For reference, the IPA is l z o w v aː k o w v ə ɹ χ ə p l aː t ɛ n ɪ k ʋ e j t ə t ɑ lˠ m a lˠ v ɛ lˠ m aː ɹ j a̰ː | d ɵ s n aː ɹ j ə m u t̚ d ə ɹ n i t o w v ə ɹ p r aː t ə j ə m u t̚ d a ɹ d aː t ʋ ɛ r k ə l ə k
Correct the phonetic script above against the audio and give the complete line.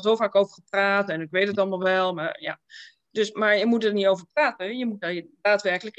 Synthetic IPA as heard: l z o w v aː k o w v ə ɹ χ ə p r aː t ɛ n ɪ k ʋ e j t ə t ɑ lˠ m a lˠ ʋ ɛ lˠ m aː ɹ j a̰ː | d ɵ s m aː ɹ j ə m u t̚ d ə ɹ n i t o w v ə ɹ p r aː t ə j ə m u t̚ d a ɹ d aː t ʋ ɛ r k ə l ə k